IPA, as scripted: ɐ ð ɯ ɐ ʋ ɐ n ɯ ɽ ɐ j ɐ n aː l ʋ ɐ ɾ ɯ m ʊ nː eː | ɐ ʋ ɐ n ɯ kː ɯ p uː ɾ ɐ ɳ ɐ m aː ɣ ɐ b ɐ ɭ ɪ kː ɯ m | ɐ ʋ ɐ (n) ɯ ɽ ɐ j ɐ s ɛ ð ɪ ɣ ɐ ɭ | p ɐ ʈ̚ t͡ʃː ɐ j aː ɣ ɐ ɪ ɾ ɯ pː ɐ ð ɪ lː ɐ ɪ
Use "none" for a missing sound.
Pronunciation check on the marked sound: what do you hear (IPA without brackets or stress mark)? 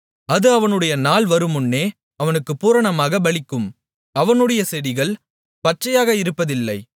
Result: n